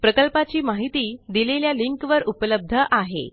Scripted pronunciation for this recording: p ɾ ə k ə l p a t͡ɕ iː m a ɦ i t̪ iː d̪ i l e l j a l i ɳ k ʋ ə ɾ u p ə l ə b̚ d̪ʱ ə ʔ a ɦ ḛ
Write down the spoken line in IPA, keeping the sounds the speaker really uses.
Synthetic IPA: p ɾ ə k ə l p a t͡ɕ iː m a ɦ i t̪ iː d̪ i l e l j a l i ŋ k ʋ ə ɾ u p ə l ə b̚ d̪ʱ ə ʔ a ɦ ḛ